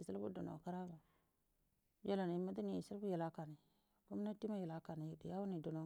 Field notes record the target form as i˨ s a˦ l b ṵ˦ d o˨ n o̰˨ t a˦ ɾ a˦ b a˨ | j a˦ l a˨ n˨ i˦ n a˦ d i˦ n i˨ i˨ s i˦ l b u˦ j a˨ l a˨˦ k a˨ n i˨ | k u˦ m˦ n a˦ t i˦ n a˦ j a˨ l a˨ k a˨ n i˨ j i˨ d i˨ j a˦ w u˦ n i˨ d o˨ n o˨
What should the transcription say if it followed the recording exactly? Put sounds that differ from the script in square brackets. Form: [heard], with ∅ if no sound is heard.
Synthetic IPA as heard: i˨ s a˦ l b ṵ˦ d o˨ n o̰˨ [k] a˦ ɾ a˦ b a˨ | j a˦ l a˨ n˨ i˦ [m] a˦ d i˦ n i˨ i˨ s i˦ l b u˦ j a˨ l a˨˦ k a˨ n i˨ | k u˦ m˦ n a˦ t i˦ [m] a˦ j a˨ l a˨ k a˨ n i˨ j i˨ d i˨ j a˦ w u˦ n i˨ d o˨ n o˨